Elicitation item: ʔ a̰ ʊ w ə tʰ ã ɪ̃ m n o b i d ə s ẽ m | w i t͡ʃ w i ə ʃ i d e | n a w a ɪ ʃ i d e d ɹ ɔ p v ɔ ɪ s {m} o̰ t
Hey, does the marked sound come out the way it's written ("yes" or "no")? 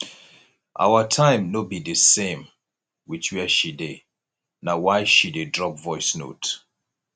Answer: no